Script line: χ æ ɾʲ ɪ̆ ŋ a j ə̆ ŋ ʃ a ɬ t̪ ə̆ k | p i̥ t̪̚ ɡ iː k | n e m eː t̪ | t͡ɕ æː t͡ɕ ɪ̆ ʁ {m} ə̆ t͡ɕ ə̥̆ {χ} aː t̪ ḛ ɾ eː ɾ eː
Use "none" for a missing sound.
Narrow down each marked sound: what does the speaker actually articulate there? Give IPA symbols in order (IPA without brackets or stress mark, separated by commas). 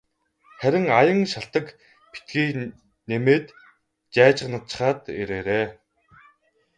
n, χ